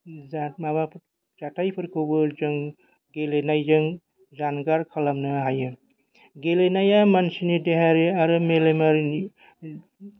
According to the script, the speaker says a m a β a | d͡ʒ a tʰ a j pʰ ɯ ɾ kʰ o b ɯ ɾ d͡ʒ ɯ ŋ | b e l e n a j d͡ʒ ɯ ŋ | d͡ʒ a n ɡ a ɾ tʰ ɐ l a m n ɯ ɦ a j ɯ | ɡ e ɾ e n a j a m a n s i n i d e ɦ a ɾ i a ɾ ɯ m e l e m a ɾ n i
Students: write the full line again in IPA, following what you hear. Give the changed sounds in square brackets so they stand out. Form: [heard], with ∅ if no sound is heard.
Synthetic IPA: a m a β a | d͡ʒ a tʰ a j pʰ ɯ ɾ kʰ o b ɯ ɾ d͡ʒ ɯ ŋ | [ɡ] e l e n a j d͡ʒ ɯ ŋ | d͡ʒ a n ɡ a ɾ [kʰ] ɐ l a m n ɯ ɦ a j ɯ | ɡ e [l] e n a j a m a n s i n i d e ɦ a ɾ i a ɾ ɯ m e l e m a ɾ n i